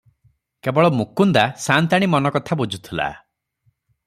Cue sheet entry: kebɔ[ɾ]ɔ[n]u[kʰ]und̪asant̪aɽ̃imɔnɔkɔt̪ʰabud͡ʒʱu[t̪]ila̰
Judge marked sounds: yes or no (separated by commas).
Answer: no, no, no, no